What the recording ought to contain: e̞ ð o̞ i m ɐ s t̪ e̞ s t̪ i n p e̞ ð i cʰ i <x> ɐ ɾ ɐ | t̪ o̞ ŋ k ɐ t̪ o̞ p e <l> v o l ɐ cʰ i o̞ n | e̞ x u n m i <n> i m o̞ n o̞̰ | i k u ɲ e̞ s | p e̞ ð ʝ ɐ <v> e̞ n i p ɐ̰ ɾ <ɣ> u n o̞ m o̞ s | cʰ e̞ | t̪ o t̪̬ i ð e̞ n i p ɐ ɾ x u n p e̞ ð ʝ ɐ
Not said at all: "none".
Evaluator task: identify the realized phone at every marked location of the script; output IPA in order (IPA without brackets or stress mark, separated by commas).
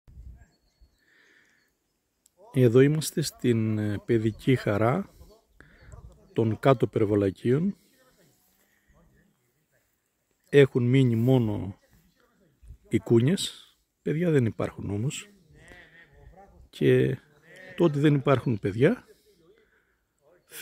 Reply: x, ɾ, ɲ, ð, x